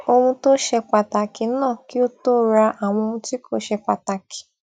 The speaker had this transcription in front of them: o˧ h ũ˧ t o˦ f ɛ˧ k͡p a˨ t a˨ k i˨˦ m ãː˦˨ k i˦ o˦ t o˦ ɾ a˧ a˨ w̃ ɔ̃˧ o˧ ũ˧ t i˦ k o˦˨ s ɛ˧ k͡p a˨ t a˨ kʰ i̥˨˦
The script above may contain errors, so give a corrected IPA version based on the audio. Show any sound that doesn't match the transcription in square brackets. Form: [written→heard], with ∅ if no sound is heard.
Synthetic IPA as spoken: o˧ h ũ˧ t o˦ [f→ʃ] ɛ˧ k͡p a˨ t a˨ k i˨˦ [m→n] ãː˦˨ k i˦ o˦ t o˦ ɾ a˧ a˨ w̃ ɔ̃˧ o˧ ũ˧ t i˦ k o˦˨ [s→ʃ] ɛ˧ k͡p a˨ t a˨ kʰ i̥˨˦